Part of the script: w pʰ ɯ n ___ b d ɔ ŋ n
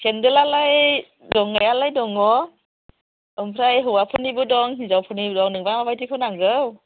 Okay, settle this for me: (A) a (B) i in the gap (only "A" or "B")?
B